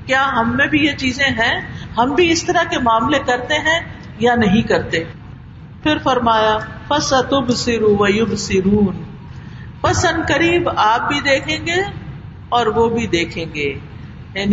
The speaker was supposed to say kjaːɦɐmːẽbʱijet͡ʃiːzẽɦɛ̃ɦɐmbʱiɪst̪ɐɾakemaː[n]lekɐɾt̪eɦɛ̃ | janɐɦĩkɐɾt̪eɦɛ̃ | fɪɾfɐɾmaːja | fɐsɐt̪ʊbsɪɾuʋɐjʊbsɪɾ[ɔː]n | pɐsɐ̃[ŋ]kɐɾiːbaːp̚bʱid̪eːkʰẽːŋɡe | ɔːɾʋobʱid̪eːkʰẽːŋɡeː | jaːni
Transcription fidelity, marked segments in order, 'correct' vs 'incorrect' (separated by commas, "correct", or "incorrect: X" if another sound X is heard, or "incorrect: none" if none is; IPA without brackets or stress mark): incorrect: m, incorrect: uː, incorrect: n